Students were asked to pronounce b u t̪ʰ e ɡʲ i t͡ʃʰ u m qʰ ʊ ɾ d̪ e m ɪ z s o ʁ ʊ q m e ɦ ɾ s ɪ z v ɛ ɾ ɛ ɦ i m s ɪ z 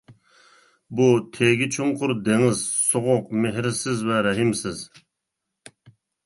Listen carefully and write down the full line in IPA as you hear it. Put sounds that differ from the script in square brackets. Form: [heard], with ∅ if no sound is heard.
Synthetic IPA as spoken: b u t̪ʰ e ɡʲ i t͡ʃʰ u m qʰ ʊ ɾ d̪ e [ŋ] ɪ z s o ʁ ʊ q m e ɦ ɾ s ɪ z v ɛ ɾ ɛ ɦ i m s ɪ z